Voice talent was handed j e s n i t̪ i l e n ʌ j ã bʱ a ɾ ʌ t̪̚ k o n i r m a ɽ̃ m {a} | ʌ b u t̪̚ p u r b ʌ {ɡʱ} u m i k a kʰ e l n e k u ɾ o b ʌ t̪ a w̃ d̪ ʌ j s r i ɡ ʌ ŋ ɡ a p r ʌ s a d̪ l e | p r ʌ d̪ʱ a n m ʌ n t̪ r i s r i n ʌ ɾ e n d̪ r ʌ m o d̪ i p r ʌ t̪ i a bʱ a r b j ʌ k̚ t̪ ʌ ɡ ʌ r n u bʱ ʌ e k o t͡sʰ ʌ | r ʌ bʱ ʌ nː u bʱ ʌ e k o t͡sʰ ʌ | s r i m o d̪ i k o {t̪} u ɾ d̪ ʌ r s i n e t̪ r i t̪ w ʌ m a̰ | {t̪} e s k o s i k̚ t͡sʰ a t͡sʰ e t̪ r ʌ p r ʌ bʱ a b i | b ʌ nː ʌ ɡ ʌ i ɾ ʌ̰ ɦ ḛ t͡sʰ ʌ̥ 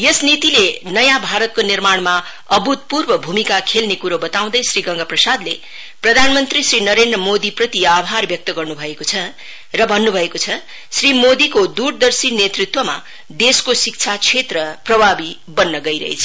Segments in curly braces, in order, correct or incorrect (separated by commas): correct, incorrect, incorrect, incorrect